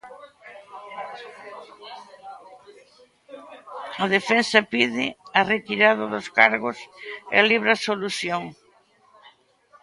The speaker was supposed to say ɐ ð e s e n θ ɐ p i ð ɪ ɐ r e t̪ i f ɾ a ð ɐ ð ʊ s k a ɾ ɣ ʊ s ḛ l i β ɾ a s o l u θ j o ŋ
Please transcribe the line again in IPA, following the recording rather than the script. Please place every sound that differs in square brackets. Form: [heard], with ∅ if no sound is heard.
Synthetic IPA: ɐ ð e [f] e n [s] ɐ p i ð ɪ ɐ r e t̪ i [∅] ɾ a ð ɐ ð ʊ s k a ɾ ɣ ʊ s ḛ l i β ɾ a s o l u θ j o ŋ